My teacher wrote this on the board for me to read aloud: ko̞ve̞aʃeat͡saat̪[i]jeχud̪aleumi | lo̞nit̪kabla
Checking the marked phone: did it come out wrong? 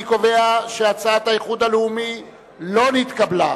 yes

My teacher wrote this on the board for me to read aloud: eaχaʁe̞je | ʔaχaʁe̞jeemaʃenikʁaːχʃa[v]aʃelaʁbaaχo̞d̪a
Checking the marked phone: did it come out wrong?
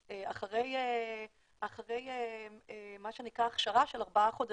yes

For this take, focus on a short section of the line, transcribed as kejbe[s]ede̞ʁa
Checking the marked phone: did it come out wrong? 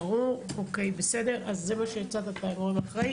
no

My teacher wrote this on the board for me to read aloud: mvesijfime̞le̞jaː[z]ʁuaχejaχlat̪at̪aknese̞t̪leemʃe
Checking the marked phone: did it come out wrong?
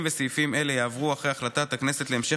yes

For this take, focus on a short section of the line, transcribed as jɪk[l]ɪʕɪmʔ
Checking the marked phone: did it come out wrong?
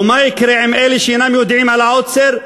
yes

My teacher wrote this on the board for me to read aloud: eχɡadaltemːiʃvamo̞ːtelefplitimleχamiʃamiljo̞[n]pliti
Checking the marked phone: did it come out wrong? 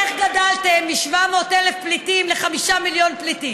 no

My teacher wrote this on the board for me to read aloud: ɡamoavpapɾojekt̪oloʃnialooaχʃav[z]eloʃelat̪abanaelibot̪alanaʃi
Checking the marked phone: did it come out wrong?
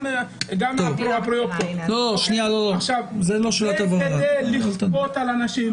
no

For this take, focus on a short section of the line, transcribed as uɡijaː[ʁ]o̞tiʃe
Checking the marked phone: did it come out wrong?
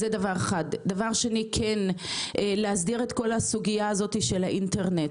yes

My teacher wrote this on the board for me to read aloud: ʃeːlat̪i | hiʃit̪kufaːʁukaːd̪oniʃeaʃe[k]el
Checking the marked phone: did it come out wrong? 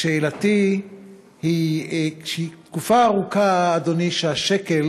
no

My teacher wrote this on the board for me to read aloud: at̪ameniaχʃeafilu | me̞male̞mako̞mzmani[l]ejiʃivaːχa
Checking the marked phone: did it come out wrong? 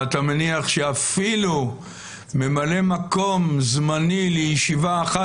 no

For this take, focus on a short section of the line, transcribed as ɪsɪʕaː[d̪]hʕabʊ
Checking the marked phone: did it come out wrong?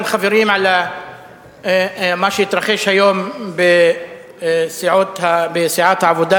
yes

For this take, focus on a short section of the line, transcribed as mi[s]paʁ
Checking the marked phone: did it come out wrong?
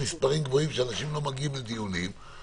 no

